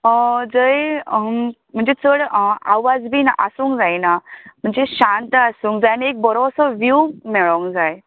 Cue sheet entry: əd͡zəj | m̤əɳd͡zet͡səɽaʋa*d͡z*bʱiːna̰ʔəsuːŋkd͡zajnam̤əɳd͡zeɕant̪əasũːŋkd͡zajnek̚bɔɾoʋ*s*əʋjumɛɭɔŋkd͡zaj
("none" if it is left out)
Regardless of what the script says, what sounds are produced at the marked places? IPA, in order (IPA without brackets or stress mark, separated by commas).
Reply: d͡z, s